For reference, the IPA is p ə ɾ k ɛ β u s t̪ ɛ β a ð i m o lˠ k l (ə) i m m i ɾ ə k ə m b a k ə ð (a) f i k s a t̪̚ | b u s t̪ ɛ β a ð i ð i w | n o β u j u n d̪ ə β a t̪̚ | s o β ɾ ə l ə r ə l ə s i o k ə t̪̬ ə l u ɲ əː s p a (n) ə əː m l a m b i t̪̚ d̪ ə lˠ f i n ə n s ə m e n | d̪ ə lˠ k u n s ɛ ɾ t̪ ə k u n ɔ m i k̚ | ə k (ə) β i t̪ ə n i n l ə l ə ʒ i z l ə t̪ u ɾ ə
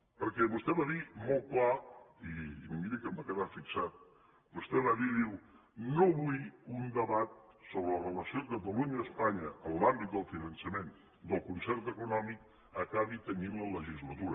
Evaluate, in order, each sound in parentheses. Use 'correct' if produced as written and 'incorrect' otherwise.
incorrect, correct, incorrect, incorrect

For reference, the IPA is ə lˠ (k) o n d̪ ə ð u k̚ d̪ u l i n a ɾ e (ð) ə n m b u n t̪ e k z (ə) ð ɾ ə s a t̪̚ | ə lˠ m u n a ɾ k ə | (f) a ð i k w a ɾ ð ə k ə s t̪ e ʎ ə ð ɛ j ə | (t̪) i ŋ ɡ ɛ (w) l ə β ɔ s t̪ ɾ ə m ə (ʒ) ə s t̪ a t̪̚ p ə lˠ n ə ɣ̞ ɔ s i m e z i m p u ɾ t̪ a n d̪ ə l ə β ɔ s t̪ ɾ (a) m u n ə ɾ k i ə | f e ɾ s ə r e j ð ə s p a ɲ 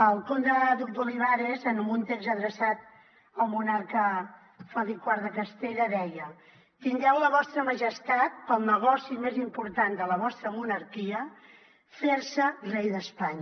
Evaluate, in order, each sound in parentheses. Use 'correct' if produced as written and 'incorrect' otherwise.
correct, incorrect, correct, correct, correct, correct, correct, incorrect

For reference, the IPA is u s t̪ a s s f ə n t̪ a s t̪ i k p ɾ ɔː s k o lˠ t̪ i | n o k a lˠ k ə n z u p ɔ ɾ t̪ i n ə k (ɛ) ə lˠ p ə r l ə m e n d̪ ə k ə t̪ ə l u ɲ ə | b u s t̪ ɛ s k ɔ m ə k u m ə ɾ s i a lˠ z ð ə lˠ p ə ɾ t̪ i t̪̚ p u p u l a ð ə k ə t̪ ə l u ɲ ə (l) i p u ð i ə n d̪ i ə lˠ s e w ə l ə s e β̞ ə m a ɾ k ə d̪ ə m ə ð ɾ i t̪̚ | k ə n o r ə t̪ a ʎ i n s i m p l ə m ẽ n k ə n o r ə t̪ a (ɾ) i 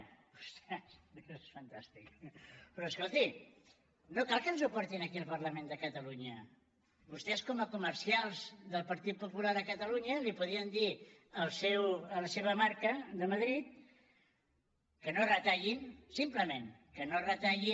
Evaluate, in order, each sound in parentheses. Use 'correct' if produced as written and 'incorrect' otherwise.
incorrect, correct, incorrect

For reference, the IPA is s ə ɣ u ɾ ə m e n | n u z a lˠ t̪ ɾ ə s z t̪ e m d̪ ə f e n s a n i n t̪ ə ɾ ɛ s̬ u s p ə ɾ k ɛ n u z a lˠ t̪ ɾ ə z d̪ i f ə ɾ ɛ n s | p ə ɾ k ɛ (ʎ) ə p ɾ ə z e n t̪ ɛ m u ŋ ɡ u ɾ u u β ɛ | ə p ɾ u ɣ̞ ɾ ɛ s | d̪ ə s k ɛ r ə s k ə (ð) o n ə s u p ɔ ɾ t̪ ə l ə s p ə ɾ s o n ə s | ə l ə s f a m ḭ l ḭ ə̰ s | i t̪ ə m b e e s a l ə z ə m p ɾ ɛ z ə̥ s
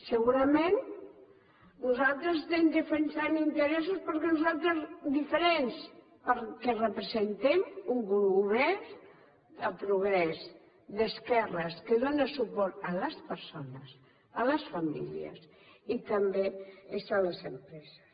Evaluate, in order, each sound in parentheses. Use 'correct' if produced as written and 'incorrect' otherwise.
incorrect, correct

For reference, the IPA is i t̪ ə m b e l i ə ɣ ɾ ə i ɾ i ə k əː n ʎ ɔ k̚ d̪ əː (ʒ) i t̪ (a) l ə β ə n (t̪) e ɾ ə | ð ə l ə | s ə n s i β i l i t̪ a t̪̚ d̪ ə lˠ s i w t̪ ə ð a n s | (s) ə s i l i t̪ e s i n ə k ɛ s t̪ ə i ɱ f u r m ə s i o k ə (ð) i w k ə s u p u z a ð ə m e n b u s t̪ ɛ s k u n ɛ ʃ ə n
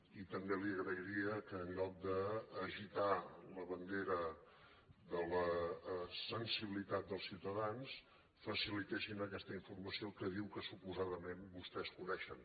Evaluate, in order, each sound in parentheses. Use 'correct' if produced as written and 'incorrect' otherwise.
correct, correct, incorrect, incorrect, correct

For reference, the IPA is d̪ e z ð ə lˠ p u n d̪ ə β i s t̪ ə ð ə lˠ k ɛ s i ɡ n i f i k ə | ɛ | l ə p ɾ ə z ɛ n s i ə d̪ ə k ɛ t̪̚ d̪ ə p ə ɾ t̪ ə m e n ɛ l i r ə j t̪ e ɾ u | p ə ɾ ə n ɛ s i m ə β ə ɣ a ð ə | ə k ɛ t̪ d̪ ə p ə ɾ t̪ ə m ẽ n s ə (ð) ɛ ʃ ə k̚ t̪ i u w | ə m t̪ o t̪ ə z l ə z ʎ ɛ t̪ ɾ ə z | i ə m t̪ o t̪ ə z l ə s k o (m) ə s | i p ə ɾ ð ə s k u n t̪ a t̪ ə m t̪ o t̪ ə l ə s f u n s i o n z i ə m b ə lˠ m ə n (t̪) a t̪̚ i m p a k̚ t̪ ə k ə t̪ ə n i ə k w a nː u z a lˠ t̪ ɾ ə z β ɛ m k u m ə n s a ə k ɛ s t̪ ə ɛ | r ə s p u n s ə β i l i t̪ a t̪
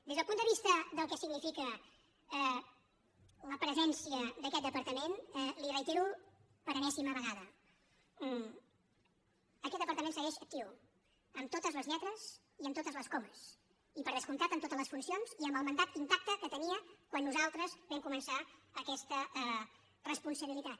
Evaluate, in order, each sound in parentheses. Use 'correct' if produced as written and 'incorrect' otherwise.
incorrect, correct, incorrect

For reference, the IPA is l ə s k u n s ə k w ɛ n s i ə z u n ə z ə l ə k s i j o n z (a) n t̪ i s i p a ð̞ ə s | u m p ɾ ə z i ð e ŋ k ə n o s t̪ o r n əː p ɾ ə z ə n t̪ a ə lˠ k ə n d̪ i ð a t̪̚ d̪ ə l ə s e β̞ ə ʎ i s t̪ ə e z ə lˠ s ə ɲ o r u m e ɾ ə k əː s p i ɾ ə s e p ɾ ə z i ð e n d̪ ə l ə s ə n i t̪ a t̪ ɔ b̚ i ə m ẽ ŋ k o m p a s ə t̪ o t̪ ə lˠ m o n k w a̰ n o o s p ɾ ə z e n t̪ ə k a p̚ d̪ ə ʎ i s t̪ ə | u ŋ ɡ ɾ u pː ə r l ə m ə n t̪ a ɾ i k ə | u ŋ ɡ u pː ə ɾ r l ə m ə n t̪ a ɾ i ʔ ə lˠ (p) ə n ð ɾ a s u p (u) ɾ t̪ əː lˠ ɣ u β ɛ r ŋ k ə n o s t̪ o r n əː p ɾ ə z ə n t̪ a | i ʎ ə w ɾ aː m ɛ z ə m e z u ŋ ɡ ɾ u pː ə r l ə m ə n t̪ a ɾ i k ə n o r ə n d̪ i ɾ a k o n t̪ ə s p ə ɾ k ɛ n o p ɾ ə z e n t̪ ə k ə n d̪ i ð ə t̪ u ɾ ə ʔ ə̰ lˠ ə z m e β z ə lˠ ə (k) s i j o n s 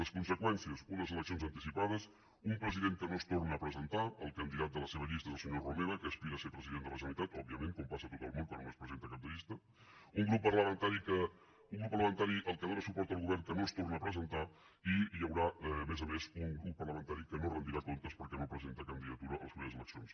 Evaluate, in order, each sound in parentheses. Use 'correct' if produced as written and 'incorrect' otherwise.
incorrect, incorrect, incorrect, correct

